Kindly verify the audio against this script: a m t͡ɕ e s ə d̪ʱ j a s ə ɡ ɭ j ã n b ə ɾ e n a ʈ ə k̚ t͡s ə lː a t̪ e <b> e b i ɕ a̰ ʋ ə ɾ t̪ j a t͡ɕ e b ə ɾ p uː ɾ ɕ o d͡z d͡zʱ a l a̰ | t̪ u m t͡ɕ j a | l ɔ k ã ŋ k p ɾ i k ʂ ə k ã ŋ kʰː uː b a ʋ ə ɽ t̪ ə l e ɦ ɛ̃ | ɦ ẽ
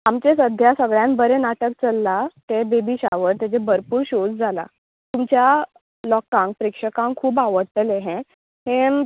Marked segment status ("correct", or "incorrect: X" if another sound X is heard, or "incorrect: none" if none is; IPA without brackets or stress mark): correct